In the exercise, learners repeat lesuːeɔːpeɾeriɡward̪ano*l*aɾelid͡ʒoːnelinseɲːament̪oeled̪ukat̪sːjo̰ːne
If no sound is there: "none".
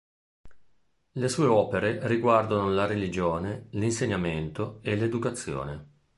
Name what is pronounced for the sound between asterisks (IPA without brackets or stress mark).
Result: l